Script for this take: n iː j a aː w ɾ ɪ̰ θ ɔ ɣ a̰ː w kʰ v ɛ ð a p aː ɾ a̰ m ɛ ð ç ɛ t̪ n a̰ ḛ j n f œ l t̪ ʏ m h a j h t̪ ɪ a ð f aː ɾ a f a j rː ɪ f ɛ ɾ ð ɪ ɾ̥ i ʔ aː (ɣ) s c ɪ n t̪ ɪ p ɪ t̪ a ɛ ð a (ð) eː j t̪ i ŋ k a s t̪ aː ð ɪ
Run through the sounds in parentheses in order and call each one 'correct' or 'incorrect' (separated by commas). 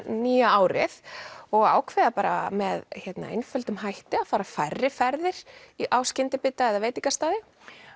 incorrect, incorrect